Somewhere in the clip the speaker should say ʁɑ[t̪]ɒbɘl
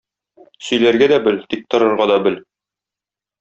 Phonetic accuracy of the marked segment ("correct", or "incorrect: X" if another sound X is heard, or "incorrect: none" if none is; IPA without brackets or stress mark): incorrect: d̪